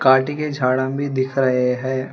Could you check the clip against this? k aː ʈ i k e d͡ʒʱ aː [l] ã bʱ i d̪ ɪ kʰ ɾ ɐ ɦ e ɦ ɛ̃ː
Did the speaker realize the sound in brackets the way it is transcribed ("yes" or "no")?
no